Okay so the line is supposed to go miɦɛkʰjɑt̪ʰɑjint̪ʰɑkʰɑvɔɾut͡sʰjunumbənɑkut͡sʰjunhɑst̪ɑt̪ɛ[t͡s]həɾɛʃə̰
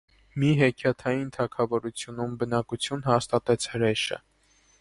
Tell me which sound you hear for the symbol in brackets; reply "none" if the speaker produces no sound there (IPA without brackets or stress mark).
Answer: t͡sʰ